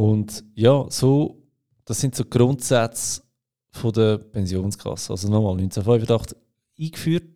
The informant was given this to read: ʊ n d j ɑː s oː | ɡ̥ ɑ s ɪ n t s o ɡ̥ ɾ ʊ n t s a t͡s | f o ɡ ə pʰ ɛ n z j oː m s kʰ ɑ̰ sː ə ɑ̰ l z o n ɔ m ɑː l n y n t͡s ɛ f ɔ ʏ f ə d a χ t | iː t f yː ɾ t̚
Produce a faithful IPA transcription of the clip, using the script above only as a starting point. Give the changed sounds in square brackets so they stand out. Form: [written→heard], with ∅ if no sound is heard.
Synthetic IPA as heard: ʊ n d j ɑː s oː | [ɡ̥→d̥] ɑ s ɪ n t s o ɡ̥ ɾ ʊ n t s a t͡s | f o [ɡ→d] ə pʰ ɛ n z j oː [m→n] s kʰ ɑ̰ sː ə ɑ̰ l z o n ɔ m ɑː l n y n t͡s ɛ f ɔ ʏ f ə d [a→ɑ] χ t | iː [t→k] f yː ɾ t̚